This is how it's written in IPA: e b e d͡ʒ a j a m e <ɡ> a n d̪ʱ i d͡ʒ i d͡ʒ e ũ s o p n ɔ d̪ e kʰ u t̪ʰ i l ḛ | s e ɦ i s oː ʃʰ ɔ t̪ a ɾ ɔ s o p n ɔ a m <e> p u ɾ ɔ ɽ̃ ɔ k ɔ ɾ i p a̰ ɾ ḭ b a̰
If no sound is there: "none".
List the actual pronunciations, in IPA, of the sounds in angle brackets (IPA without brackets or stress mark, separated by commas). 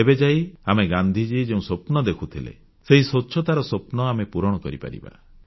ɡ, e